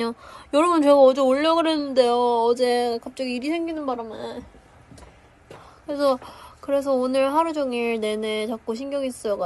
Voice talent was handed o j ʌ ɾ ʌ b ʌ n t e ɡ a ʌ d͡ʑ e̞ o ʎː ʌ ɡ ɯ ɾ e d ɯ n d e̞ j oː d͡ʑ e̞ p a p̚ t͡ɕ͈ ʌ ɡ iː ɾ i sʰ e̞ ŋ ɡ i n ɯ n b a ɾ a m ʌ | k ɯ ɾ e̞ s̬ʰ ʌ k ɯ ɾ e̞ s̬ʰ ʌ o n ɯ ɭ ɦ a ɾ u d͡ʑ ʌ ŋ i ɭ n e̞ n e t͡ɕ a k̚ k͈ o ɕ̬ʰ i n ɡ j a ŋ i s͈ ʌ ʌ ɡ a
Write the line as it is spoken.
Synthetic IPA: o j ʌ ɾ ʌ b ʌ n t͡ɕ e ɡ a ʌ d͡ʑ e̞ o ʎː ʌ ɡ ɯ ɾ e n ɯ n d e̞ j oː d͡ʑ e̞ k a p̚ t͡ɕ͈ ʌ ɡ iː ɾ i sʰ e̞ ŋ ɡ i n ɯ n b a ɾ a m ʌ | k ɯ ɾ e̞ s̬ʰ ʌ k ɯ ɾ e̞ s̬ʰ ʌ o n ɯ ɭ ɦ a ɾ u d͡ʑ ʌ ŋ i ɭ n e̞ n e t͡ɕ a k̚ k͈ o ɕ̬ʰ i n ɡ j ʌ ŋ i s͈ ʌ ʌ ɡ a